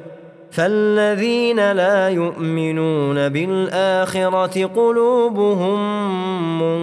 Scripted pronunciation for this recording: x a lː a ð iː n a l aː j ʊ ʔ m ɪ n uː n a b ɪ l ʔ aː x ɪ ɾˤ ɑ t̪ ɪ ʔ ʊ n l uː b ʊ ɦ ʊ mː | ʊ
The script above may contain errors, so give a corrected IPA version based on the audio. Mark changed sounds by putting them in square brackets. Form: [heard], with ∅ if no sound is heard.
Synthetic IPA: [f] a lː a ð iː n a l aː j ʊ ʔ m ɪ n uː n a b ɪ l ʔ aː x ɪ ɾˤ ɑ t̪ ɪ [q] ʊ [∅] l uː b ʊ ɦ ʊ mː | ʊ